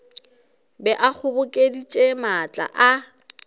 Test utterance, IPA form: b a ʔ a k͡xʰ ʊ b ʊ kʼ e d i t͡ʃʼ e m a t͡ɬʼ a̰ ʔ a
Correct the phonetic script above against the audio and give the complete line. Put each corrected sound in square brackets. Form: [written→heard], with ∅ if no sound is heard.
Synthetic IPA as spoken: b [a→ɛ] ʔ a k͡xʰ ʊ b ʊ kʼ e d i t͡ʃʼ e m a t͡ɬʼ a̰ ʔ a